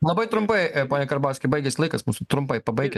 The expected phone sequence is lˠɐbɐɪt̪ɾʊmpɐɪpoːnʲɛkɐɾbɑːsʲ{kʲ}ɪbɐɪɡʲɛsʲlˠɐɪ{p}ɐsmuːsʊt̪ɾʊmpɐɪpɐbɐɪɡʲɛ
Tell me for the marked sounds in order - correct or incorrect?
correct, incorrect

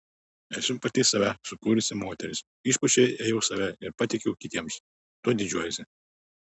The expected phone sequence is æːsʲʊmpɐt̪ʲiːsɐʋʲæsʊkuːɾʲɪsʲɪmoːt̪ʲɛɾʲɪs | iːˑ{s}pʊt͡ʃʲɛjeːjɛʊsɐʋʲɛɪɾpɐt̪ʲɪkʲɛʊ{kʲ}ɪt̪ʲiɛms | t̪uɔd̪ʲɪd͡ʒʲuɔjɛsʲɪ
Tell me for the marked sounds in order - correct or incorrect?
incorrect, correct

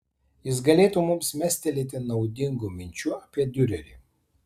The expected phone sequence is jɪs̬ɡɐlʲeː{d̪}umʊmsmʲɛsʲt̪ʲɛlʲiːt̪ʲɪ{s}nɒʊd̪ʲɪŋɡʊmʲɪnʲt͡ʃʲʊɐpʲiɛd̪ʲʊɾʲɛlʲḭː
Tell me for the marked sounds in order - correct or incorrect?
incorrect, incorrect

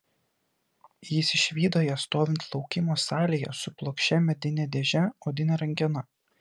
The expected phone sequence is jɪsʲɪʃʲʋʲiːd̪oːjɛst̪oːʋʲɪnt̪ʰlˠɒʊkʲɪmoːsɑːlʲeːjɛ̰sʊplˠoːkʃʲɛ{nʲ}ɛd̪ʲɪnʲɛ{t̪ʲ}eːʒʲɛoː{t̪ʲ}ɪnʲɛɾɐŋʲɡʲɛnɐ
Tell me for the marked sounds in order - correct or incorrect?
incorrect, incorrect, incorrect

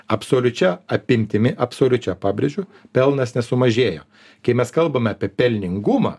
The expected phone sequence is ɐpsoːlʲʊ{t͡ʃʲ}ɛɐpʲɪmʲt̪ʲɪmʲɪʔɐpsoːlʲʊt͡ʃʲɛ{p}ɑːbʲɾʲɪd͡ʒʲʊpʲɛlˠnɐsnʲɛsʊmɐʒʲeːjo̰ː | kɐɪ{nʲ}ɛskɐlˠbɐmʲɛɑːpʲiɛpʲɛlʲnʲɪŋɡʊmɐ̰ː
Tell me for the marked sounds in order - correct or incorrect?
correct, correct, incorrect

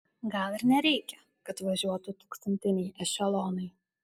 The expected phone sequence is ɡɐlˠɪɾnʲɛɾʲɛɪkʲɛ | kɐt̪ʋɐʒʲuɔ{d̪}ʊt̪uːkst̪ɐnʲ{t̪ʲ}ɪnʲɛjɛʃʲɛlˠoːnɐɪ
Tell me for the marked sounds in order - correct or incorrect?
incorrect, correct

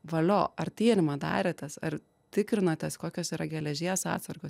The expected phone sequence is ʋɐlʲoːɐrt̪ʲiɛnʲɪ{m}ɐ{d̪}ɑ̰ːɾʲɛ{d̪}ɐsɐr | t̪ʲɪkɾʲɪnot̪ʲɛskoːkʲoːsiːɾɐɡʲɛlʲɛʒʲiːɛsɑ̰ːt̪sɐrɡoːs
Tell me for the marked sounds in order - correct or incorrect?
correct, correct, incorrect

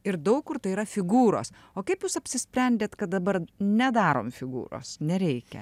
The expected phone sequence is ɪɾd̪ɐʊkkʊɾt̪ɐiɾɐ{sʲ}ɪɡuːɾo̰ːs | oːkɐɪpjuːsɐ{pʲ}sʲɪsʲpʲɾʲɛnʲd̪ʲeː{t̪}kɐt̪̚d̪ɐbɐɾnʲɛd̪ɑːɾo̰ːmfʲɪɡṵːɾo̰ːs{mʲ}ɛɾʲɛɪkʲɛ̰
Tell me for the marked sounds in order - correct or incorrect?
incorrect, correct, correct, incorrect

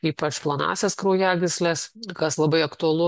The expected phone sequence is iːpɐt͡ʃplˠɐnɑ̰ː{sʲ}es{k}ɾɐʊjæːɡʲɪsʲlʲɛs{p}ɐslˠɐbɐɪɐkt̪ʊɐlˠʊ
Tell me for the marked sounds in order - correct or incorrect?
correct, correct, incorrect

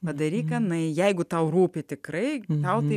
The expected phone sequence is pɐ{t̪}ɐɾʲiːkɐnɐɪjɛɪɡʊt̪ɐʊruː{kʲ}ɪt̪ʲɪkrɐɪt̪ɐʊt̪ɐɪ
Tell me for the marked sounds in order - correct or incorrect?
incorrect, incorrect

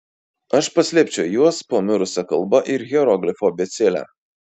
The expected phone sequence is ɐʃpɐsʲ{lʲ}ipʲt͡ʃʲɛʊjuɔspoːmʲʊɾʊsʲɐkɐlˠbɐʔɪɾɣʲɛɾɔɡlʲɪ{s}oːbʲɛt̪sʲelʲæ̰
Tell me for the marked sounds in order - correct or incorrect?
correct, incorrect

